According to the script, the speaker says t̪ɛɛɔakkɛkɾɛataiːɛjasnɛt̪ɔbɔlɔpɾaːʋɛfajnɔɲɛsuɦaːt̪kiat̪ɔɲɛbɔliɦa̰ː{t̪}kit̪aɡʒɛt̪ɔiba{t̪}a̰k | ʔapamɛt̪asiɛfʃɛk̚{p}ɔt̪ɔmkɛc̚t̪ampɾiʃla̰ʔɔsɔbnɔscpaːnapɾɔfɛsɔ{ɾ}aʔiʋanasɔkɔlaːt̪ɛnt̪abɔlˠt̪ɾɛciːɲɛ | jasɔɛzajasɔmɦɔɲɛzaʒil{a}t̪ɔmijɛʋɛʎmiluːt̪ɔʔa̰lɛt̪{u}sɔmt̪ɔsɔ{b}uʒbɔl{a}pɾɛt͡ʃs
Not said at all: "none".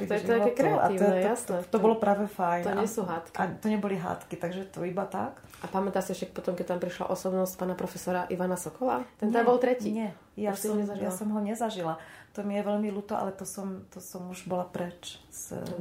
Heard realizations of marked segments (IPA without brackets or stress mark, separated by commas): t̪, t̪, p, ɾ, a, ɔ, m, a